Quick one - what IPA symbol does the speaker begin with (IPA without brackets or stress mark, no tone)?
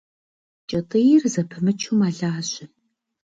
t͡ʃʼ